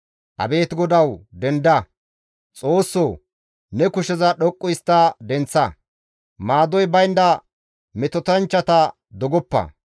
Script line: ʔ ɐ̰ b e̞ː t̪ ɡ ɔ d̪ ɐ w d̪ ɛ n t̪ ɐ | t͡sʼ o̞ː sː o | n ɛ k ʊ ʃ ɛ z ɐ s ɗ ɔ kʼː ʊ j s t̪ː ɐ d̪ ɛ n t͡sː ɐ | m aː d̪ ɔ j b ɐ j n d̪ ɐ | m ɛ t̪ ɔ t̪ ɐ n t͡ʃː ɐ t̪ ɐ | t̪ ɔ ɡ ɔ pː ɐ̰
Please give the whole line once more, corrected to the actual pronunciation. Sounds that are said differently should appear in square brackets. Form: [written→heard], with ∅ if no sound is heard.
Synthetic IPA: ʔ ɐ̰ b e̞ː t̪ ɡ ɔ d̪ ɐ w d̪ ɛ n [t̪→d̪] ɐ | t͡sʼ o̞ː sː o | n ɛ k ʊ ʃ ɛ z ɐ [s→∅] ɗ ɔ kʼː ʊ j s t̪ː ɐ d̪ ɛ n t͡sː ɐ | m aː d̪ ɔ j b ɐ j n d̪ ɐ | m ɛ t̪ ɔ t̪ ɐ n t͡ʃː ɐ t̪ ɐ | [t̪→d̪] ɔ ɡ ɔ pː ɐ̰